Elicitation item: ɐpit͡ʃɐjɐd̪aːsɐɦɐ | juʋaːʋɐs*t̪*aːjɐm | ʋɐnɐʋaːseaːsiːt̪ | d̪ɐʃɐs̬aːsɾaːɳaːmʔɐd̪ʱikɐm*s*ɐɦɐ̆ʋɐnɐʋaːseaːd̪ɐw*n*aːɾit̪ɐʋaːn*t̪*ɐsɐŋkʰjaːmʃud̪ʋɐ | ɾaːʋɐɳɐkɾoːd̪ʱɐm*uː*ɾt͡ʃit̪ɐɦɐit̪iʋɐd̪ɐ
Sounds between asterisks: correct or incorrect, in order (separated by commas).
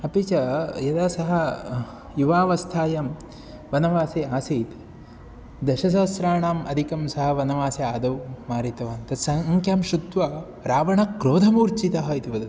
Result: incorrect, correct, incorrect, correct, correct